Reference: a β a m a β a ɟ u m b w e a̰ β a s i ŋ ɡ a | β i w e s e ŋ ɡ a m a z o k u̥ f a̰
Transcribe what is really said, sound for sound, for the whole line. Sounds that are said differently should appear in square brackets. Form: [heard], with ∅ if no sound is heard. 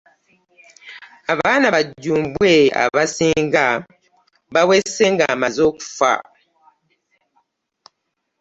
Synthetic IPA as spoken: a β a [n] a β a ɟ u m b w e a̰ β a s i ŋ ɡ a | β [a] w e s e ŋ ɡ a m a z o k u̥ f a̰